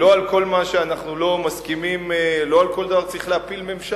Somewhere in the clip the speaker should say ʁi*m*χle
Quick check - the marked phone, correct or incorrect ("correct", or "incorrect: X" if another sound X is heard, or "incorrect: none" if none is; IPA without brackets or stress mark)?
incorrect: none